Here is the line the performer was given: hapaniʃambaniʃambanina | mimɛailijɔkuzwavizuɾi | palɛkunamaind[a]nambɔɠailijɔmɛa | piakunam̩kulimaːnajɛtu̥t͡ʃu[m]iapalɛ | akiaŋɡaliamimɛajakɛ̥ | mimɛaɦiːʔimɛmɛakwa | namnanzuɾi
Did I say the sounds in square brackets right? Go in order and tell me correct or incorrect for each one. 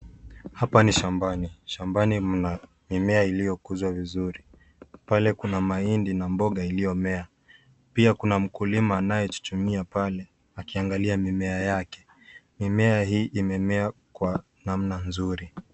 incorrect: i, correct

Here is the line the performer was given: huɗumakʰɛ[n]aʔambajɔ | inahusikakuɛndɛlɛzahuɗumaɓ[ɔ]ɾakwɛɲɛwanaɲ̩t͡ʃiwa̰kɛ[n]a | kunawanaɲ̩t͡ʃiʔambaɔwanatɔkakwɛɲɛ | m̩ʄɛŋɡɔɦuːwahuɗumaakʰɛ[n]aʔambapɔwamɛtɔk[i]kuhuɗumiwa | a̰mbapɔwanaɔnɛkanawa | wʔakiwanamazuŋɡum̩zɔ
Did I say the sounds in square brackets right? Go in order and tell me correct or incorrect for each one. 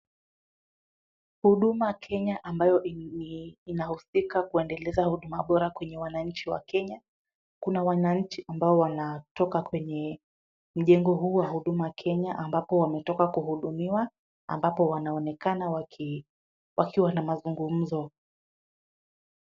incorrect: ɲ, correct, incorrect: ɲ, incorrect: ɲ, incorrect: a

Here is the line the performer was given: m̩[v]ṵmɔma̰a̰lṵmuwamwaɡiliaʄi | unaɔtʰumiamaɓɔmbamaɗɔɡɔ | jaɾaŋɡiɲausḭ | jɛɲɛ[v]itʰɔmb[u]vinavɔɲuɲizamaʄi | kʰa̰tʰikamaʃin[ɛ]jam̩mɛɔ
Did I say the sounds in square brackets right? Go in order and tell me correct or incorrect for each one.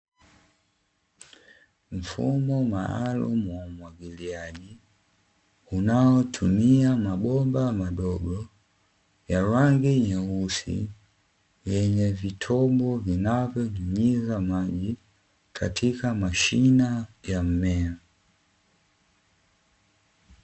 incorrect: f, correct, incorrect: ɔ, incorrect: a

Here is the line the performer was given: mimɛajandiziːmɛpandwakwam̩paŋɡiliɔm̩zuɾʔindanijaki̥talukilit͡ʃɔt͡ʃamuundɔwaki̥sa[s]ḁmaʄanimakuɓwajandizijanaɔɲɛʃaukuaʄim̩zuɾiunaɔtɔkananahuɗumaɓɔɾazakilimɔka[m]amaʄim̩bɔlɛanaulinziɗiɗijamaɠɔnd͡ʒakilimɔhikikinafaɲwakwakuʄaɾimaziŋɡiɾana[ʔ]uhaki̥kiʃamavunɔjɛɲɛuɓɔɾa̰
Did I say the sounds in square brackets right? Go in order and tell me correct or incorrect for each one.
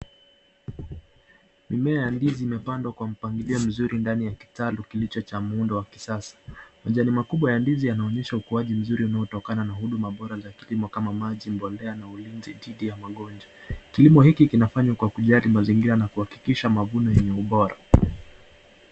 correct, correct, incorrect: k

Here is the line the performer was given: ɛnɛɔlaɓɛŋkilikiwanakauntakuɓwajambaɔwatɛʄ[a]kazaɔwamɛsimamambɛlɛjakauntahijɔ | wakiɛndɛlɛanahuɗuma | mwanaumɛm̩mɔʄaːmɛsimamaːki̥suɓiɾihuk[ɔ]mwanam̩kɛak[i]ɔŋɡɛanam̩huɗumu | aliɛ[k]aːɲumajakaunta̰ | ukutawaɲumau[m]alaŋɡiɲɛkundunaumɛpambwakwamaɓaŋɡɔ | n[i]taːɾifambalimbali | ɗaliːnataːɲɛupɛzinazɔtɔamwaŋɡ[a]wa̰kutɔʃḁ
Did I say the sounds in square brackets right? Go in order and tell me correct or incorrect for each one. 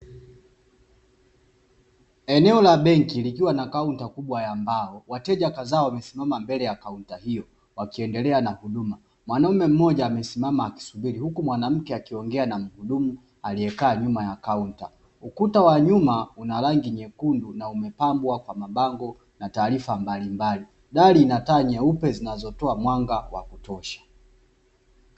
correct, incorrect: u, correct, correct, incorrect: n, incorrect: a, correct

